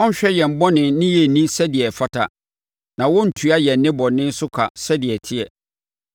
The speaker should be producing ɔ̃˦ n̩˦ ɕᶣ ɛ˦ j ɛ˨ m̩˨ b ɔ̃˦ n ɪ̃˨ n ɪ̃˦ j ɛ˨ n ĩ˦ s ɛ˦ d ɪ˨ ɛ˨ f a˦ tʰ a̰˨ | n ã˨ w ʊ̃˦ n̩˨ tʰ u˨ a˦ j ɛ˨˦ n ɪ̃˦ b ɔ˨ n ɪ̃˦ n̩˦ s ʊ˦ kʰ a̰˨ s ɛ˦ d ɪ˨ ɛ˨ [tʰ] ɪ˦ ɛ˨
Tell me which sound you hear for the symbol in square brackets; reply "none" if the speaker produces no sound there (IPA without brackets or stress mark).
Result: tʰ